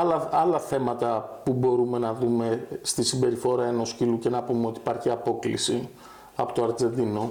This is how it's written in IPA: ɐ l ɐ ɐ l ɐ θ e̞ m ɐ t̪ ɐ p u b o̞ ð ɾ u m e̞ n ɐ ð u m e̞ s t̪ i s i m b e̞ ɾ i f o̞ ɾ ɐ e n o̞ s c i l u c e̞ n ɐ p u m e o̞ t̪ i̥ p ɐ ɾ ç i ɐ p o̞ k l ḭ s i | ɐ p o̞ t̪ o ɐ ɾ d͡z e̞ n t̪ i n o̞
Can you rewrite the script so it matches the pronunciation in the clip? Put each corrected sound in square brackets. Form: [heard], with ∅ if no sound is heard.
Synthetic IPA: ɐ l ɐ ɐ l ɐ θ e̞ m ɐ t̪ ɐ p u b o̞ [∅] ɾ u m e̞ n ɐ ð u m e̞ s t̪ i s i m b e̞ ɾ i f o̞ ɾ ɐ e n o̞ s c i l u c e̞ n ɐ p u m e o̞ t̪ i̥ p ɐ ɾ ç i ɐ p o̞ k l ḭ s i | ɐ p o̞ t̪ o ɐ ɾ d͡z e̞ n [d̪] i n o̞